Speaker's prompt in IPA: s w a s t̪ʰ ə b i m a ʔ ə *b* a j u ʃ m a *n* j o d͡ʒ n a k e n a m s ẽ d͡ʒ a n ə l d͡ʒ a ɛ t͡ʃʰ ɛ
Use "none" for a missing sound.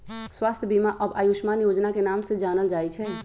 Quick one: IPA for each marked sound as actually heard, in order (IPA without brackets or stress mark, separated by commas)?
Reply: b, n